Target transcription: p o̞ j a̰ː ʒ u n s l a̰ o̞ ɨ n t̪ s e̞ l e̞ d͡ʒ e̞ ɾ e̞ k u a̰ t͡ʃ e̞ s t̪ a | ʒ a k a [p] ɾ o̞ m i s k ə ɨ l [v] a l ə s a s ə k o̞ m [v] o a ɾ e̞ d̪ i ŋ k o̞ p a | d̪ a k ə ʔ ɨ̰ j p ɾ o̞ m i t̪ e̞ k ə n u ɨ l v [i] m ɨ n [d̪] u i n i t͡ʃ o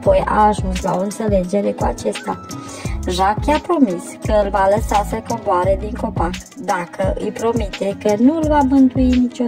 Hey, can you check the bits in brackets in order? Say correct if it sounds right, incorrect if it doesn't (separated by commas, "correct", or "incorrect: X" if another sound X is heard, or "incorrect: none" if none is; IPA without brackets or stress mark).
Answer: correct, correct, incorrect: b, incorrect: a, incorrect: t̪